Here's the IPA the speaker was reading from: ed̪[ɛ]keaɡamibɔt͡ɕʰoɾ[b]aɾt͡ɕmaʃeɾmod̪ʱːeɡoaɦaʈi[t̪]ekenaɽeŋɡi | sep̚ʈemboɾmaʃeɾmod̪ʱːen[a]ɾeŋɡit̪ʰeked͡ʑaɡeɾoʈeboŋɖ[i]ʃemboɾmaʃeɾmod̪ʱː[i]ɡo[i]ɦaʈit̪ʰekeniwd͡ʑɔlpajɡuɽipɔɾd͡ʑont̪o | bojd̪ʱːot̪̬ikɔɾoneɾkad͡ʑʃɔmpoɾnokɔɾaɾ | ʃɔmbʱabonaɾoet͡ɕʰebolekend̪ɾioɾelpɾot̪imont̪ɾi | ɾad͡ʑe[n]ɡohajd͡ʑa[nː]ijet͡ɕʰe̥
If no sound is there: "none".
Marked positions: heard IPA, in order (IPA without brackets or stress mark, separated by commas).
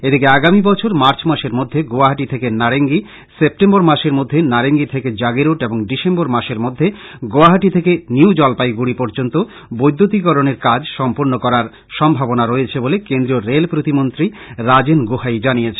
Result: i, m, t̪ʰ, a, i, e, a, n, n